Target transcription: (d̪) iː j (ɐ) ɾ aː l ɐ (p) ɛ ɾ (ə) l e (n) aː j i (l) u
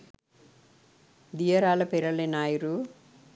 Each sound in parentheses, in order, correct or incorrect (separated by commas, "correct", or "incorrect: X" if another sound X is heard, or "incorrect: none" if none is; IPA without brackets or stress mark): correct, correct, correct, incorrect: ɐ, correct, incorrect: ɾ